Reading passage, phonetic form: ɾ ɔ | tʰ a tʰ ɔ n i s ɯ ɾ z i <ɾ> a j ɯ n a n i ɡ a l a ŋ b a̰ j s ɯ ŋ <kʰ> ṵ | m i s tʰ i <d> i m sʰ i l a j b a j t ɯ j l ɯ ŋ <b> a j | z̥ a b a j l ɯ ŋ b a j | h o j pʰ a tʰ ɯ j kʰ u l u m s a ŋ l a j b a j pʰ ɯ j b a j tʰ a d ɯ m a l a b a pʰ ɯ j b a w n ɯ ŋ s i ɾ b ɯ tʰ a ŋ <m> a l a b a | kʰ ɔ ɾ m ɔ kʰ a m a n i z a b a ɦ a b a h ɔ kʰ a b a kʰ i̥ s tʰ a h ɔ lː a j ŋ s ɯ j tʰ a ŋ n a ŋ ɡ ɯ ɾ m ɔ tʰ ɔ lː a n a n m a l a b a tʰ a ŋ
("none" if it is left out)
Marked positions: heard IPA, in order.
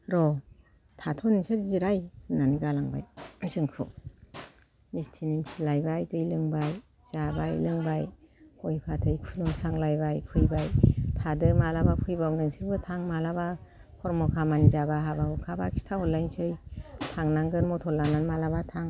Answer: ɾ, kʰ, n, b, m

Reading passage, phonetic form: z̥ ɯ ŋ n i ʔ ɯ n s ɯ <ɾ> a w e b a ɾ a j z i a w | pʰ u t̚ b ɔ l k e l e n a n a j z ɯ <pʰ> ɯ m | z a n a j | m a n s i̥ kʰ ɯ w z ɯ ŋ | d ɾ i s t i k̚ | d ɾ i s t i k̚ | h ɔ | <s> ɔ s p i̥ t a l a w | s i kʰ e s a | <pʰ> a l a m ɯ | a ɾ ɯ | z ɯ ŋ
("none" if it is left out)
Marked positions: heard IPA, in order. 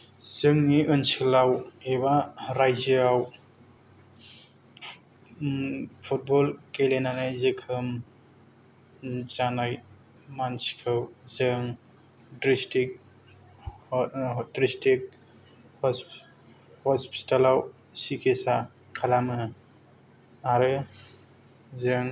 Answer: l, kʰ, h, kʰ

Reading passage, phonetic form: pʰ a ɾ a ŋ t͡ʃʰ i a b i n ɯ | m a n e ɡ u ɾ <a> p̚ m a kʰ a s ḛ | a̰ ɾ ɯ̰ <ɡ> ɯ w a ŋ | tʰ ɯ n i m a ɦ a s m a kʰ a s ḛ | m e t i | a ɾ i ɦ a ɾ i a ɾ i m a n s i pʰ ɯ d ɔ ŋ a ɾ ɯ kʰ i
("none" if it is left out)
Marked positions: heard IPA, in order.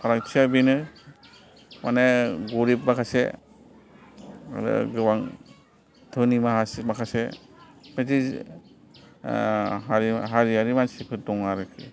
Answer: i, ɡ

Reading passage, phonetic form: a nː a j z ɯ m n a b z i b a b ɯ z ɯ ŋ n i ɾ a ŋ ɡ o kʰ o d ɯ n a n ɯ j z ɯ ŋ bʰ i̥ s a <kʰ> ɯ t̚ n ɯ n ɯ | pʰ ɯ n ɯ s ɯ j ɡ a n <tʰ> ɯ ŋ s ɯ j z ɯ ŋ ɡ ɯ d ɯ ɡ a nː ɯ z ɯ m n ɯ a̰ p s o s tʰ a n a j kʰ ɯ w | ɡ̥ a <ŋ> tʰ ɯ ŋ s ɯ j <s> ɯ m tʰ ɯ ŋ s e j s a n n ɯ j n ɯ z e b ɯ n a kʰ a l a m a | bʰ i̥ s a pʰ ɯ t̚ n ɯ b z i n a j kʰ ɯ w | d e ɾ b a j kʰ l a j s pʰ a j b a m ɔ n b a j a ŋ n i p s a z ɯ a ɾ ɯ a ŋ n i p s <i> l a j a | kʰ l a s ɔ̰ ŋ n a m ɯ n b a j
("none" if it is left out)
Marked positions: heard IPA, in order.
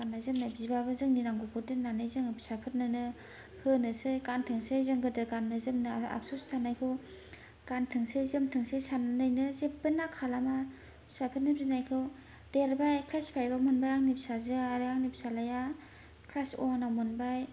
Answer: pʰ, tʰ, n, z, a

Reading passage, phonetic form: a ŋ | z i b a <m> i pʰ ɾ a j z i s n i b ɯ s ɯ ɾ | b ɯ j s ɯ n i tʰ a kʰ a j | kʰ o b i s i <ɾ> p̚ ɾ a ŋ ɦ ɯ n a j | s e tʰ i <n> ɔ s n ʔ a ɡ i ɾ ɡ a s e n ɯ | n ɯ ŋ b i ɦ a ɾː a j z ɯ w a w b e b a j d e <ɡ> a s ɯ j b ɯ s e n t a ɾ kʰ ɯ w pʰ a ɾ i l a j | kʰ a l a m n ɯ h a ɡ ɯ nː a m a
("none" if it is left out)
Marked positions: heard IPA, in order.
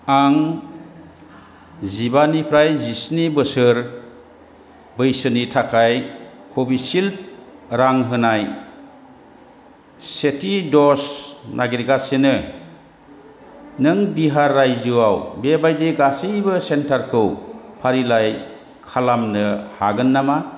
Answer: n, l, d, ɡ

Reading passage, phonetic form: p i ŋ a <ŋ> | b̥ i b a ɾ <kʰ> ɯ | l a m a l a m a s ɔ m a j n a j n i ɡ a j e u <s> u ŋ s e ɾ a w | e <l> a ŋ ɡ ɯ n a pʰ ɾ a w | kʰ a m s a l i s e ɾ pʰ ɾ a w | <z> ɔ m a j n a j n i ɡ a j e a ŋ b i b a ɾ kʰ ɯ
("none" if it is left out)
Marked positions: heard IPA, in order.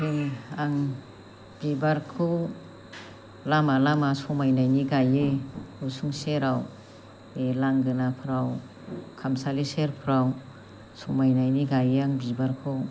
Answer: ŋ, kʰ, s, l, s

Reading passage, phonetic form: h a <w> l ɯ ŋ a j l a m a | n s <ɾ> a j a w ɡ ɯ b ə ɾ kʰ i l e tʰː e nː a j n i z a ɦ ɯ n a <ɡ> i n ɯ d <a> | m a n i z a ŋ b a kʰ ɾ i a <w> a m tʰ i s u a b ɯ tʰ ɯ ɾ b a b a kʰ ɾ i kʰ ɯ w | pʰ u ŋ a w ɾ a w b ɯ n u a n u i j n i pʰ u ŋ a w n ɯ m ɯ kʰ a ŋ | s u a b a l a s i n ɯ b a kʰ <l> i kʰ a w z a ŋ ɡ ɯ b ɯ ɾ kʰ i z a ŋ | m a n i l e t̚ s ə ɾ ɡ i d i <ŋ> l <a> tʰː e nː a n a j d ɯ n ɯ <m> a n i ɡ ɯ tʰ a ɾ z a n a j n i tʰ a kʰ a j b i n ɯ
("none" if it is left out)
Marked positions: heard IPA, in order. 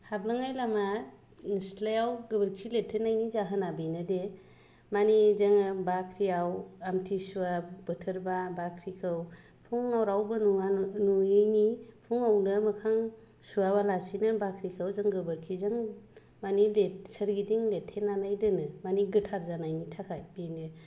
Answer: b, l, b, e, w, ɾ, ŋ, e, m

